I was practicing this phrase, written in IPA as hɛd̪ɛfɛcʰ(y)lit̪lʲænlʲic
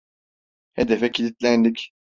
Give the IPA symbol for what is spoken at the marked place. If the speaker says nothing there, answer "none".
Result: i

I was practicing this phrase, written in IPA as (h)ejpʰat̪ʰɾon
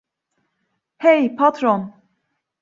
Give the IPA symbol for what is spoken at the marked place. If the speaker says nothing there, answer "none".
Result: h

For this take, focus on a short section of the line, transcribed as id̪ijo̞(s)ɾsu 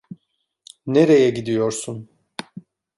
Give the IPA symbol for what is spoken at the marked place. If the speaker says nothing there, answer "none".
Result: none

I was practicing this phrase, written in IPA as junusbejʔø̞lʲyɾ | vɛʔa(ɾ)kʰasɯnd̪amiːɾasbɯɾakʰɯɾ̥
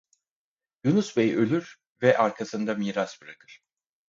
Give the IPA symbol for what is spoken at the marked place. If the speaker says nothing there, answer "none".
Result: ɾ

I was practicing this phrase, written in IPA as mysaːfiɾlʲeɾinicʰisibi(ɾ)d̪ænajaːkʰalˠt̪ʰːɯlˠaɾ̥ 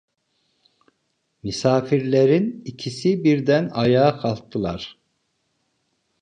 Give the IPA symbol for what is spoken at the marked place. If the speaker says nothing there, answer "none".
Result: ɾ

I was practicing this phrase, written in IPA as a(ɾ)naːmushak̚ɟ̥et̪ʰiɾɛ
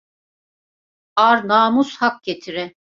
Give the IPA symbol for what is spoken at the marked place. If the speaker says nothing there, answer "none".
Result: ɾ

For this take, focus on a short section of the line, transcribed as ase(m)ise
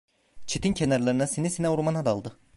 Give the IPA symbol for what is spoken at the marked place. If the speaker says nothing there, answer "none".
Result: n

